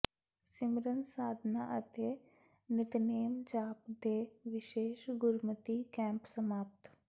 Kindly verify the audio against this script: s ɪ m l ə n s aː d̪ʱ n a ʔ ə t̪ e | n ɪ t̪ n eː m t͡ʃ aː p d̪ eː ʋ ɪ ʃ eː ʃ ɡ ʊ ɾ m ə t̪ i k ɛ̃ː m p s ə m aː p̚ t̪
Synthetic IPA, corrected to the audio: s ɪ m ɾ ə n s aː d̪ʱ n a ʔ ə t̪ e | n ɪ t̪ n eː m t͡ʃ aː p d̪ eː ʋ ɪ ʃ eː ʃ ɡ ʊ ɾ m ə t̪ i k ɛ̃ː m p s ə m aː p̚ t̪